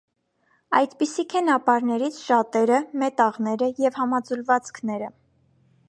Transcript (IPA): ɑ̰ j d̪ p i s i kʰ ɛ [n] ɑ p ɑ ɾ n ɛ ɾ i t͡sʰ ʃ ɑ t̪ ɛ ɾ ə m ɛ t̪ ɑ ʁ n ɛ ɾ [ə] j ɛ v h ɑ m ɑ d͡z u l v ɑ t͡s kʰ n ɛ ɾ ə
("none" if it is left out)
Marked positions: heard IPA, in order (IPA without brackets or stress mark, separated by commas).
n, ə